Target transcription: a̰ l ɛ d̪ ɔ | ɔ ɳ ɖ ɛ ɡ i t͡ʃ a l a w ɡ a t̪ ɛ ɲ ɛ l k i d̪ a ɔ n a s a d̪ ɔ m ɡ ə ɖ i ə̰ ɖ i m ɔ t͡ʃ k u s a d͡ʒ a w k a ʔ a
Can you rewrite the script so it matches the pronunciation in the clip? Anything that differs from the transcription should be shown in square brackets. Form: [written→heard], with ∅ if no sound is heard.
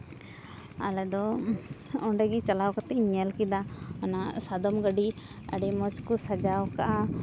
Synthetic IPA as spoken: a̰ l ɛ d̪ ɔ | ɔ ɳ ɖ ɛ ɡ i t͡ʃ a l a w [ɡ→k] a t̪ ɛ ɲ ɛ l k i d̪ a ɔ n a s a d̪ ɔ m ɡ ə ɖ i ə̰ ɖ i m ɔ t͡ʃ k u s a d͡ʒ a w k a ʔ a